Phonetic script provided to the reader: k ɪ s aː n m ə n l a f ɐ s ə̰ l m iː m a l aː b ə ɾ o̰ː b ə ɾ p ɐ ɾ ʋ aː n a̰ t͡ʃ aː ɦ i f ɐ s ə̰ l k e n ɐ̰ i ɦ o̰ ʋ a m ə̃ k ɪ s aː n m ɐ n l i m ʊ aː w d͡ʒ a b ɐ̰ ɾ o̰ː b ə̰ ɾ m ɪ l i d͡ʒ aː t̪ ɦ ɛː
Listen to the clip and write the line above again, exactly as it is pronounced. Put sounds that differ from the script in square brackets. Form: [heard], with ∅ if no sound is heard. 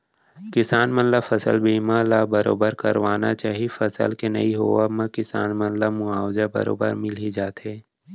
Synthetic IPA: k ɪ s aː n m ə n l a f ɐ s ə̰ l [b] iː m a l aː b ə ɾ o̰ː b ə ɾ [k] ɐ ɾ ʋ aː n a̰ t͡ʃ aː ɦ i f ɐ s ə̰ l k e n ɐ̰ i ɦ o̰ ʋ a m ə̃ k ɪ s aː n m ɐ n l [a] m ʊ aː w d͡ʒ a b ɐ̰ ɾ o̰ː b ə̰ ɾ m ɪ l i d͡ʒ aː t̪ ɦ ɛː